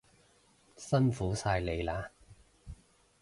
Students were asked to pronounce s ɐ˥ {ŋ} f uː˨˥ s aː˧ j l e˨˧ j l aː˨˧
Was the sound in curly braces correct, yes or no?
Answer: no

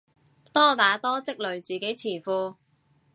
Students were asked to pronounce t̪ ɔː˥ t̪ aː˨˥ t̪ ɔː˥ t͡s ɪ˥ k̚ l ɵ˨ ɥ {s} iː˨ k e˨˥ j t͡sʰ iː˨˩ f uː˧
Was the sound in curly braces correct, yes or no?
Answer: no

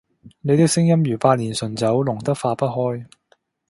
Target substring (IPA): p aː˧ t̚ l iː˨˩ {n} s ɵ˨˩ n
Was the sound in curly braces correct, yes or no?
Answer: yes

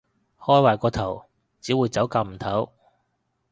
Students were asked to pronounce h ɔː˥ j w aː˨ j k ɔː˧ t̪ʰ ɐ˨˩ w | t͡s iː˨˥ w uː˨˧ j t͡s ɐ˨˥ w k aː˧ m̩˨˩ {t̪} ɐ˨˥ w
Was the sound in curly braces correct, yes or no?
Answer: no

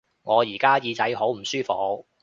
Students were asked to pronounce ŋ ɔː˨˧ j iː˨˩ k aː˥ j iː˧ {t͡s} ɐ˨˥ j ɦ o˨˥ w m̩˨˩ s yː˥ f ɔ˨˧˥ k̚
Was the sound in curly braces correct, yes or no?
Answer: yes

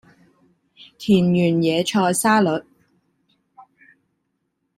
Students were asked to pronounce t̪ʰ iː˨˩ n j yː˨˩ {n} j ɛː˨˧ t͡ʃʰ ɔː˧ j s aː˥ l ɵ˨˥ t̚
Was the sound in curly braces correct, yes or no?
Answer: yes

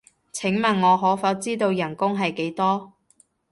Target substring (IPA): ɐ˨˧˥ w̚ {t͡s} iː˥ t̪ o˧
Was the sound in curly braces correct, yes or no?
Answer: yes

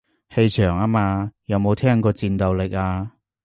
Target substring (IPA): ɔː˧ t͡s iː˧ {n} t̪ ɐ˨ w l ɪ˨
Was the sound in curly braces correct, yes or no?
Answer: yes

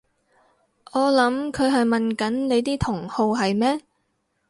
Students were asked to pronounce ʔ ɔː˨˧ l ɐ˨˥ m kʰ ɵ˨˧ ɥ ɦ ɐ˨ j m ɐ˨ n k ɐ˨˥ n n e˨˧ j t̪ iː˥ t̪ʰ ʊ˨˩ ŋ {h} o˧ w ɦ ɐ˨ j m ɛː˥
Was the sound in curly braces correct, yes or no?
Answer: yes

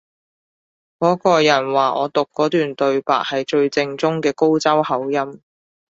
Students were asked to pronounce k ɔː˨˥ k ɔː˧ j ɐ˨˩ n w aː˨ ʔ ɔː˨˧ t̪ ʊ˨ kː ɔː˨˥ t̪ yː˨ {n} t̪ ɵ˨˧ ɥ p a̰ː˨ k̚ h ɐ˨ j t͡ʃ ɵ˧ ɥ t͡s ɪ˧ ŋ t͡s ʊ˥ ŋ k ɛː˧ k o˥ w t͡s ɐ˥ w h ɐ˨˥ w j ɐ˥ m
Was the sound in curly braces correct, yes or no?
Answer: yes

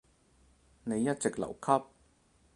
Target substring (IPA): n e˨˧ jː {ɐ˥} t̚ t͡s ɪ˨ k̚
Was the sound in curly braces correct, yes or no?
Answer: yes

